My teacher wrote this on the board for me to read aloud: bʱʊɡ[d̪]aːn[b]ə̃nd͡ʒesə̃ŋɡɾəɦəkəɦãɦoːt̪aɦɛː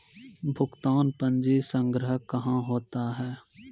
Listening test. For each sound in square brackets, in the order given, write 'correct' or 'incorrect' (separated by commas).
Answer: incorrect, incorrect